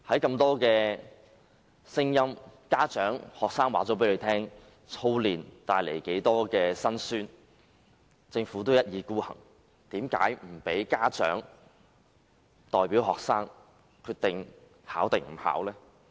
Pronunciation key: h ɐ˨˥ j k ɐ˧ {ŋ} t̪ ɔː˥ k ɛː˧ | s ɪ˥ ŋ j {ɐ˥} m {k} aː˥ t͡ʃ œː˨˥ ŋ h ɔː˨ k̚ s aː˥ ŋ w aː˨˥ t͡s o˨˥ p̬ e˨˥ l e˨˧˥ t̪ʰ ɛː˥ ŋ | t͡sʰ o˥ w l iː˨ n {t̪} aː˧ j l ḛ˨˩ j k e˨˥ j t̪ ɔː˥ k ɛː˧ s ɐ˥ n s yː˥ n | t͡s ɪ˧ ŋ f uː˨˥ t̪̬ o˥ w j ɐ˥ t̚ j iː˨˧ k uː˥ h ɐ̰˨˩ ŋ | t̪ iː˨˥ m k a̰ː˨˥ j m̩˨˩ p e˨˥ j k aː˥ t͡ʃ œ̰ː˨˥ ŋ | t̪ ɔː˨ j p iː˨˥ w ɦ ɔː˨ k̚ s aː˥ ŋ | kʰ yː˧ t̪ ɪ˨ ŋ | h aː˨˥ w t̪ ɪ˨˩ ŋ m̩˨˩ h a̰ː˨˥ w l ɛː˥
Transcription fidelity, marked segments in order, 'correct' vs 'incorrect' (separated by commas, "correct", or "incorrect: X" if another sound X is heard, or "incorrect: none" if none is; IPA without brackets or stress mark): incorrect: m, correct, correct, correct